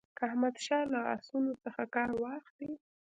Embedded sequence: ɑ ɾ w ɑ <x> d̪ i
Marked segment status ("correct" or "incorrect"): correct